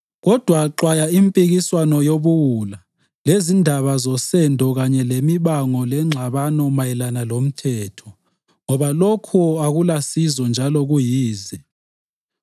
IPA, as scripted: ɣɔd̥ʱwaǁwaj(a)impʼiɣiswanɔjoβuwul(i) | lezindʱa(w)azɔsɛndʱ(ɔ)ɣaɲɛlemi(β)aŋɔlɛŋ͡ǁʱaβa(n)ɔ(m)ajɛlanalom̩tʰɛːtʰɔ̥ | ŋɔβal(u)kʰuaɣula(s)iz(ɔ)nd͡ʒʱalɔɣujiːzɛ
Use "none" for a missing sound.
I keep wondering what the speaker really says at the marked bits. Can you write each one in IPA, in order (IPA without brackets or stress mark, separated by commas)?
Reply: a, a, β, ɔ, β, n, m, o, s, ɔ